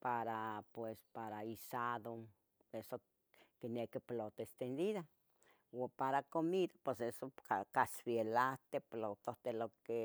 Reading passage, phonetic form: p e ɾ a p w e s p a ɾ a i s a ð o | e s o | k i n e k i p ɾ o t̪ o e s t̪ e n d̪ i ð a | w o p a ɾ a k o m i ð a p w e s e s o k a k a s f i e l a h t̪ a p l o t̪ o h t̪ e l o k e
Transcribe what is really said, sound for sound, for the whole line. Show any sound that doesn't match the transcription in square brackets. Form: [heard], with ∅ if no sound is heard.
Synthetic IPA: p [a] ɾ a p w e s p a ɾ a i s a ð o | e s o | k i n e k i p [l] o t̪ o e s t̪ e n d̪ i ð a | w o p a ɾ a k o m i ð a p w e s e s o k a k a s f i e l a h t̪ [e] p l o t̪ o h t̪ e l o k e